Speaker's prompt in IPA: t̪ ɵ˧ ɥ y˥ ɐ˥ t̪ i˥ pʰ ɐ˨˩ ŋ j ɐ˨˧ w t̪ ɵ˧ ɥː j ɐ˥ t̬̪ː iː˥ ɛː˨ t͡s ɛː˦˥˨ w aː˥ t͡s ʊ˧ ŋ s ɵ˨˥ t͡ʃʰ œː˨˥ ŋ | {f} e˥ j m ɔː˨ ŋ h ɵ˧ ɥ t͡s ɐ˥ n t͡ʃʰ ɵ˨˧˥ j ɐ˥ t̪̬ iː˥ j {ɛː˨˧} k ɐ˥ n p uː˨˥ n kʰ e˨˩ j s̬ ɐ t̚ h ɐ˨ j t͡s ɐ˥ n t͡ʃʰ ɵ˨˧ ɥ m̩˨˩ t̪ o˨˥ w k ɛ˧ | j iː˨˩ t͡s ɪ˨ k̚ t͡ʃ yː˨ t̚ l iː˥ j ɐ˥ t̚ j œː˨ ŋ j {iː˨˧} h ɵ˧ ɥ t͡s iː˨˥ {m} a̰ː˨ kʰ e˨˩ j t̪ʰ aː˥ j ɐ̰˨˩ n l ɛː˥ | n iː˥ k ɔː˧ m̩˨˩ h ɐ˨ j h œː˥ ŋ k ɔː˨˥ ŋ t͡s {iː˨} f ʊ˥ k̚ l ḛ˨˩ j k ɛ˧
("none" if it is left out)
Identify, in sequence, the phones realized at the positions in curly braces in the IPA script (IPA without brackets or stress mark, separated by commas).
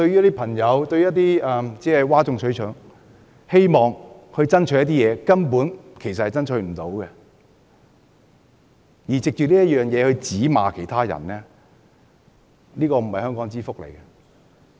h, ɛː˨˧, ɛː˨˧, m, iː˥